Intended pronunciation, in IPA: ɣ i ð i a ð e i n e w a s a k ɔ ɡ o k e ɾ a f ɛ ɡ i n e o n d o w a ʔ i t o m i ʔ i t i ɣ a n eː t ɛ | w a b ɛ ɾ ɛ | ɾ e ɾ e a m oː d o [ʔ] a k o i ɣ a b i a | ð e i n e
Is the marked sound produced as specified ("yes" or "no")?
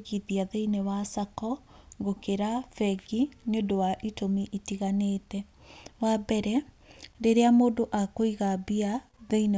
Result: yes